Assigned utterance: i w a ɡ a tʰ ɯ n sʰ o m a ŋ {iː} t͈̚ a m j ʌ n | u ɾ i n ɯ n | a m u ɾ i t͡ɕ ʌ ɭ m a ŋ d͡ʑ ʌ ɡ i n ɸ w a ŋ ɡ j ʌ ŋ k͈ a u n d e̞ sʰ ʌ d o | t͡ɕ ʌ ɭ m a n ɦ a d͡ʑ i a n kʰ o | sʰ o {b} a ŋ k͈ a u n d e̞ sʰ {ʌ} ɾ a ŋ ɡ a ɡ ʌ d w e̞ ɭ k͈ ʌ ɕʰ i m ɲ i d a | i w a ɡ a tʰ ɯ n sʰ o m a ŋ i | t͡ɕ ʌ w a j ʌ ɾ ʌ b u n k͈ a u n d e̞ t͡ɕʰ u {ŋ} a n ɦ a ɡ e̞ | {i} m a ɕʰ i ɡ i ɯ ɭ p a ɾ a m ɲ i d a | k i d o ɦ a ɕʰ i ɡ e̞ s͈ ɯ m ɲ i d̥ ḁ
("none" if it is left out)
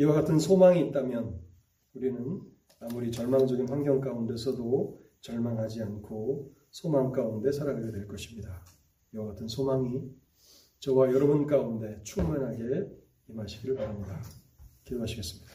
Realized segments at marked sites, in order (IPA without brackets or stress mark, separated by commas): iː, m, a, m, i